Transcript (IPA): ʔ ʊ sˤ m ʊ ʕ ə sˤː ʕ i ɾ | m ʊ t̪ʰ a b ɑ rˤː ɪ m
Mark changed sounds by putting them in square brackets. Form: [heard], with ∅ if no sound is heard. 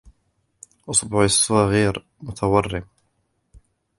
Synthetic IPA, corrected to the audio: ʔ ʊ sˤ [b] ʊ ʕ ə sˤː [ɣ] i ɾ | m ʊ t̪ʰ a [w] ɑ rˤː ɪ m

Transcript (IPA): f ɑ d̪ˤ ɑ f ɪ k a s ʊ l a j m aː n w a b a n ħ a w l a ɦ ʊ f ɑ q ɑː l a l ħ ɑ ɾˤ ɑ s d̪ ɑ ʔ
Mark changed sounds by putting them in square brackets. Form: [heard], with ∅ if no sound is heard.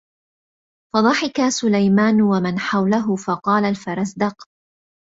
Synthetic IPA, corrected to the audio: f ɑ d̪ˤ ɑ [ħ] ɪ k a s ʊ l a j m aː n w a [m] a n ħ a w l a ɦ ʊ f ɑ q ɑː l a l [f] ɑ ɾˤ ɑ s d̪ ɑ [q]

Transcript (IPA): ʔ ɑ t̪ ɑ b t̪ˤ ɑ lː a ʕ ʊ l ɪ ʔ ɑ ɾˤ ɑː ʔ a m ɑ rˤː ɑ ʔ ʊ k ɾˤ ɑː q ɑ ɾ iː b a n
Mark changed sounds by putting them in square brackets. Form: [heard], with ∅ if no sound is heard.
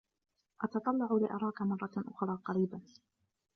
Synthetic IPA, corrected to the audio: ʔ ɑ t̪ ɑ [∅] t̪ˤ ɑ lː [ɑ] ʕ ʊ l ɪ ʔ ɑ ɾˤ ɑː [k] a m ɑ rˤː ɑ ʔ ʊ [x] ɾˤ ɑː q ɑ ɾ iː b a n

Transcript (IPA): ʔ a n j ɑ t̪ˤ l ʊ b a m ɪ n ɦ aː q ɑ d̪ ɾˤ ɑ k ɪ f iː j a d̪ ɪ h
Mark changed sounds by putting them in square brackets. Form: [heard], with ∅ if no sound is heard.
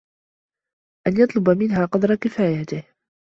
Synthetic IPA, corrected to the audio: ʔ a n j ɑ t̪ˤ l ʊ b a m ɪ n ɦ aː q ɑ d̪ ɾˤ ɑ k ɪ f [aː] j a [t̪] ɪ h

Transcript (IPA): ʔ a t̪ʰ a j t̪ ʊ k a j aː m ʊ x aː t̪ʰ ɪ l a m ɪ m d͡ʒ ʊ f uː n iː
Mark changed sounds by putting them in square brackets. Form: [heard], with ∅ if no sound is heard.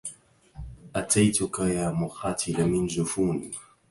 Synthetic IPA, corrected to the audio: ʔ a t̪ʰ a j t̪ ʊ k a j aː m ʊ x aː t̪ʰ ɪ l a m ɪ [n] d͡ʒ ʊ f uː n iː

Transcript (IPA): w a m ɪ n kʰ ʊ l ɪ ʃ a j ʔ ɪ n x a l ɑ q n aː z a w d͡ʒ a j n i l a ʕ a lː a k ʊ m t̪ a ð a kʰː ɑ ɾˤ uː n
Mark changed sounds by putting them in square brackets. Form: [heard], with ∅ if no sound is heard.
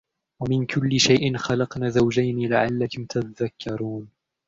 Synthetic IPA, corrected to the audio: w a m ɪ n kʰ ʊ [lː] ɪ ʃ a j ʔ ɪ n x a l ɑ q n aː z a w d͡ʒ a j n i l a ʕ a lː a k ʊ m t̪ a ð a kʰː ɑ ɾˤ uː n

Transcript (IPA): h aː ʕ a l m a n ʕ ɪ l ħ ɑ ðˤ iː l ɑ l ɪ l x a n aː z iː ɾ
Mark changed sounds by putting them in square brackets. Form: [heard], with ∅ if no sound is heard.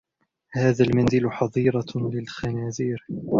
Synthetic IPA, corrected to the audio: h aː [ð] a l m a n [z] ɪ l ħ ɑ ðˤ iː [ɾ] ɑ l ɪ l x a n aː z iː ɾ

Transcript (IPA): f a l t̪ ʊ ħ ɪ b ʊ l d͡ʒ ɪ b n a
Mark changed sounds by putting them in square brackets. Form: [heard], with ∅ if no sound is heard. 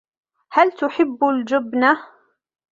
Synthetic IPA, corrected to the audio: [h] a l t̪ ʊ ħ ɪ [bː] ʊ l d͡ʒ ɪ b n a

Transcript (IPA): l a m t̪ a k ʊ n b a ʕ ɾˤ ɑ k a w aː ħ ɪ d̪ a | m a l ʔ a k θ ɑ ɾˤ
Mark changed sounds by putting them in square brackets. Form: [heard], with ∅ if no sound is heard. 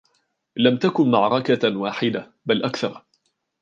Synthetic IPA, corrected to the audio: l a m t̪ a k ʊ n [m] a ʕ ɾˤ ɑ k a w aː ħ ɪ d̪ a | [b] a l ʔ a k θ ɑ ɾˤ

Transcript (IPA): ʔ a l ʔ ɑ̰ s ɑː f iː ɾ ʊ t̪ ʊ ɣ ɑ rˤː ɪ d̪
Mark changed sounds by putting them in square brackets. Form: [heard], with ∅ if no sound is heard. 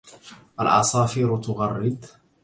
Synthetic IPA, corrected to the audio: ʔ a l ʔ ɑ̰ s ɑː f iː ɾ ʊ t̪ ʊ ɣ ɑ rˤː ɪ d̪

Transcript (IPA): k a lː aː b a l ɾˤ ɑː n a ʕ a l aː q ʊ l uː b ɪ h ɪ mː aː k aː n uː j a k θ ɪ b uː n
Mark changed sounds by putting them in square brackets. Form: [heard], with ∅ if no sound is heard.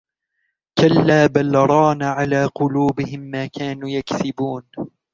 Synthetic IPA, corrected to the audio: k a lː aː b a l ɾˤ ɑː n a ʕ a l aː q ʊ l uː b ɪ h ɪ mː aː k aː n uː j a k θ ɪ b uː n

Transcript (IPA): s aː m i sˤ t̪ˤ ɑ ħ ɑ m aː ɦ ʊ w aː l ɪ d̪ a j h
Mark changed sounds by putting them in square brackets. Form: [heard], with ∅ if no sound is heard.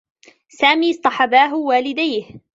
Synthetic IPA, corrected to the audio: s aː m [iː] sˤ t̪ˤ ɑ ħ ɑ [b] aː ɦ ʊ w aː l ɪ d̪ a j h

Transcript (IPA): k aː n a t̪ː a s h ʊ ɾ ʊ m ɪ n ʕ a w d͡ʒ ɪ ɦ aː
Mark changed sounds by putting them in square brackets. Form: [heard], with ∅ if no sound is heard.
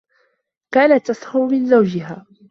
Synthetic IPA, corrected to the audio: k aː n a t̪ː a s h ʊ ɾ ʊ m ɪ n [z] a w d͡ʒ ɪ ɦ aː

